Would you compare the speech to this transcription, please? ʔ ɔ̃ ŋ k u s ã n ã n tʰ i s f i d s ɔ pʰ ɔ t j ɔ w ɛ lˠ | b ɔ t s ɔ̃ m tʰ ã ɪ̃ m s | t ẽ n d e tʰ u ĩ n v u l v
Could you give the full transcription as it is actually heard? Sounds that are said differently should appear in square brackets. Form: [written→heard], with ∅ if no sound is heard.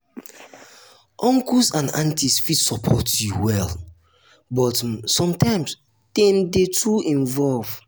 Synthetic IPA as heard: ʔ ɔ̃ ŋ k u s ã n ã n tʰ i s f i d s ɔ pʰ ɔ t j [ɔ→u] w ɛ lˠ | b ɔ t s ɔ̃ m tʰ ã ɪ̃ m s | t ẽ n d e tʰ u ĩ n v [u→ɔ] l v